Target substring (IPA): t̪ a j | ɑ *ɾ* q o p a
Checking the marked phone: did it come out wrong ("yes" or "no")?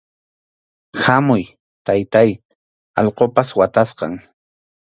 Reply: yes